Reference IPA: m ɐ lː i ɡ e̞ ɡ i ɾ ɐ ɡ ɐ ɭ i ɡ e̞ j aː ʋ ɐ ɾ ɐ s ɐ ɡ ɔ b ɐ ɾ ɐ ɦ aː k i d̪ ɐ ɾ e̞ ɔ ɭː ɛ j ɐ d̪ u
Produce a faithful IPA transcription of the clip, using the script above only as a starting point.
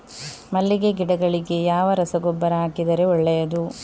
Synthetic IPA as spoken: m ɐ lː i ɡ e̞ ɡ i ɽ ɐ ɡ ɐ ɭ i ɡ e̞ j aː ʋ ɐ ɾ ɐ s ɐ ɡ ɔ bː ɐ ɾ ɐ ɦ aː k i d̪ ɐ ɾ e̞ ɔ ɭː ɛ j ɐ d̪ u

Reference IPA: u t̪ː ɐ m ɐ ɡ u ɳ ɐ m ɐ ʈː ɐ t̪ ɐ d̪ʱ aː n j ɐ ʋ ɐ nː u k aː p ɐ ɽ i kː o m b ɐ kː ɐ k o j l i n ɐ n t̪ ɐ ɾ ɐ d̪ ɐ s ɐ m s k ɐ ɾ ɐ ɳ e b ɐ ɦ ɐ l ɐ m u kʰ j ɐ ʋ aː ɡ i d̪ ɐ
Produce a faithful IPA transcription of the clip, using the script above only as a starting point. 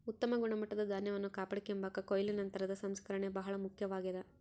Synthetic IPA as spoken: u t̪ː ɐ m ɐ ɡ u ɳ ɐ m ɐ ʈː ɐ d̪ ɐ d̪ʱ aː n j ɐ ʋ ɐ nː u k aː p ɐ ɽ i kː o m b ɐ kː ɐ k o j l i n ɐ n t̪ ɐ ɾ ɐ d̪ ɐ s ɐ m s k ɐ ɾ ɐ ɳ e b ɐ ɦ ɐ ɭ ɐ m u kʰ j ɐ ʋ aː ɡ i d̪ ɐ

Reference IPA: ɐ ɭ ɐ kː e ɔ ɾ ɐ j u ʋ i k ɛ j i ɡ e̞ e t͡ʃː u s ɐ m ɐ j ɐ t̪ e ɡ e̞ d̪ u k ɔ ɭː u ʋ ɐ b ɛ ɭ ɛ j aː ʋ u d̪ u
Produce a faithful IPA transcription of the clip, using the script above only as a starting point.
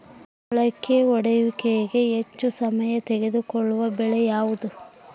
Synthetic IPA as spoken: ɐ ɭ ɐ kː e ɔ ɽ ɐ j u ʋ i k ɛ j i ɡ e̞ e t͡ʃː u s ɐ m ɐ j ɐ t̪ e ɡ e̞ d̪ u k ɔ ɭː u ʋ ɐ b ɛ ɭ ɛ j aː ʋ u d̪ u

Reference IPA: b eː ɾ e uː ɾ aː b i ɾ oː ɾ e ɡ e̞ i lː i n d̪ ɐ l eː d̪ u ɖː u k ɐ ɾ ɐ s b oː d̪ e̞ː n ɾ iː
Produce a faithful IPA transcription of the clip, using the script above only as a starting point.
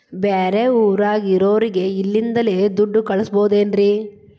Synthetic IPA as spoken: b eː ɾ e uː ɾ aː ɡ i ɾ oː ɾ i ɡ e̞ i lː i n d̪ ɐ l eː d̪ u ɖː u k ɐ ɭ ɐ s b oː d̪ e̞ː n ɾ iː

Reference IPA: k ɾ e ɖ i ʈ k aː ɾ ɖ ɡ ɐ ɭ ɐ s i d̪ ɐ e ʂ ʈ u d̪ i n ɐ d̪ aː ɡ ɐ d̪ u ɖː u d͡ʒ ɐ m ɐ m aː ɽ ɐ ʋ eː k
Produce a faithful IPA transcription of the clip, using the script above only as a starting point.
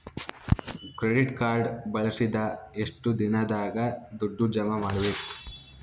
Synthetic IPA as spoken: k ɾ e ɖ i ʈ k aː ɾ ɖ b ɐ ɭ ɐ s i d̪ ɐ e ʂ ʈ u d̪ i n ɐ d̪ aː ɡ ɐ d̪ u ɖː u d͡ʒ ɐ m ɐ m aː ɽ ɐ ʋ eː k

